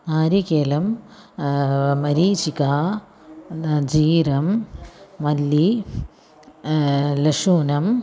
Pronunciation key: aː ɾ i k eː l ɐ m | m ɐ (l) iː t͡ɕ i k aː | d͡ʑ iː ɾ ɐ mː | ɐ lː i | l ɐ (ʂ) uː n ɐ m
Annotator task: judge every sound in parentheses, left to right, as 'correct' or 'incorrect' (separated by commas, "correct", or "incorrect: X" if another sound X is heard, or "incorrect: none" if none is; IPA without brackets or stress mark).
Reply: incorrect: ɾ, correct